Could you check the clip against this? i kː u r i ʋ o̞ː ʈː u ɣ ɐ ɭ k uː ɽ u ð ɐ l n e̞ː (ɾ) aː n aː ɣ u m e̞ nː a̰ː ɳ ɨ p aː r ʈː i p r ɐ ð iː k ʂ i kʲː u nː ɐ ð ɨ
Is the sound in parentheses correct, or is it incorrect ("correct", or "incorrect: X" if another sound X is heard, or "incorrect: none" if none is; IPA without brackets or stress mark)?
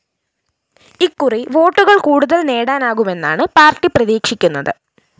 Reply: incorrect: ɽ